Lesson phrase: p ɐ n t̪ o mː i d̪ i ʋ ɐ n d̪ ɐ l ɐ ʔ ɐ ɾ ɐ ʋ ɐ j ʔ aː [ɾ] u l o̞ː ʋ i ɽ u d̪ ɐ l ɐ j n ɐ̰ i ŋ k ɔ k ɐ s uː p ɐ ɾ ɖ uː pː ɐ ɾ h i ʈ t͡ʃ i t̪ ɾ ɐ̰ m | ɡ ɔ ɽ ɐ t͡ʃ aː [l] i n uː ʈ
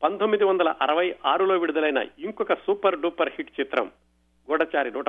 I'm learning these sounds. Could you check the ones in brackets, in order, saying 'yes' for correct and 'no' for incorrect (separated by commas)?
yes, no